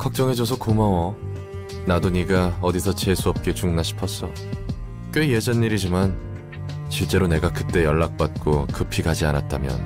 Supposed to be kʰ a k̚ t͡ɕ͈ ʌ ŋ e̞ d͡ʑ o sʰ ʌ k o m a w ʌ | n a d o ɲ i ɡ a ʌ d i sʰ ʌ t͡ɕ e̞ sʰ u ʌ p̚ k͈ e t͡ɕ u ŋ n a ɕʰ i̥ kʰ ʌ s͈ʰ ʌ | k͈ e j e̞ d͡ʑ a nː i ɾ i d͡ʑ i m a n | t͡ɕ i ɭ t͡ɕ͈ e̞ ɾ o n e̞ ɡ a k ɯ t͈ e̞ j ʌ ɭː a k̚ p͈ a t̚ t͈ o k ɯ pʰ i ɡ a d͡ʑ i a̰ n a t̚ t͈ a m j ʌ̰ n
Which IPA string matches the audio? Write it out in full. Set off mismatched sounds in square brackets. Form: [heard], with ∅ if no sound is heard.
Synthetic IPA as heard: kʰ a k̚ t͡ɕ͈ ʌ ŋ e̞ d͡ʑ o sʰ ʌ k o m a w ʌ | n a d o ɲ i ɡ a ʌ d i sʰ ʌ t͡ɕ e̞ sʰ u ʌ p̚ k͈ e t͡ɕ u ŋ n a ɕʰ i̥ [pʰ] ʌ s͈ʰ ʌ | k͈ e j e̞ d͡ʑ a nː i ɾ i d͡ʑ i m a n | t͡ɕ i ɭ t͡ɕ͈ e̞ ɾ o n e̞ ɡ a k ɯ t͈ e̞ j ʌ ɭː a k̚ p͈ a t̚ [k͈] o k ɯ pʰ i ɡ a d͡ʑ i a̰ n a t̚ t͈ a m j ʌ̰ n